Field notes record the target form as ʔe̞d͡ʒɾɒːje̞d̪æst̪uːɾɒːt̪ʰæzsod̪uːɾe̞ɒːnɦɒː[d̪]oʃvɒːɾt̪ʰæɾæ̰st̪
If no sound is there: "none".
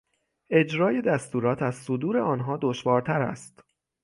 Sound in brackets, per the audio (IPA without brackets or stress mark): d̪